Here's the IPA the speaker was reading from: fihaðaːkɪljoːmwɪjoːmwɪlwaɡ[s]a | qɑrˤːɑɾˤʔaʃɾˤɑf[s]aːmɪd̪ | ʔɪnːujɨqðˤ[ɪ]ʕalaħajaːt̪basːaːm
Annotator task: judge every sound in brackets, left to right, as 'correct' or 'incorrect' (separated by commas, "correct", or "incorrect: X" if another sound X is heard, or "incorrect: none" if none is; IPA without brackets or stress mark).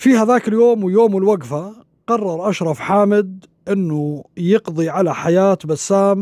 incorrect: f, incorrect: ħ, incorrect: i